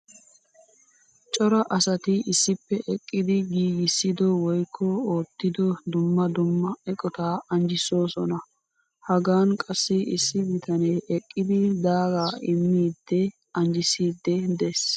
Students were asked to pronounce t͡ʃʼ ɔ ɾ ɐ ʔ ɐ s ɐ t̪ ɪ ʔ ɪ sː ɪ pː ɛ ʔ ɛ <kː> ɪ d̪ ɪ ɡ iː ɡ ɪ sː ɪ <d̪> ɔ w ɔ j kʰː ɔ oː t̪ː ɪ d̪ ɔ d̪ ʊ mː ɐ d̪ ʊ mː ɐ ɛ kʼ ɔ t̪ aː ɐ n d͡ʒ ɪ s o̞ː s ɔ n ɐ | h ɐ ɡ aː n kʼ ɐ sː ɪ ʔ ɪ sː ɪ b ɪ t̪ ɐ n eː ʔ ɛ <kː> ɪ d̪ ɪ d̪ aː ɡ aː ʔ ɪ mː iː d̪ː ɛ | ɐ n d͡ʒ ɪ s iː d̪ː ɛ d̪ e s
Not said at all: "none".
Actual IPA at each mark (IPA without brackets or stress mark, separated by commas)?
kʼː, d̪, kʼː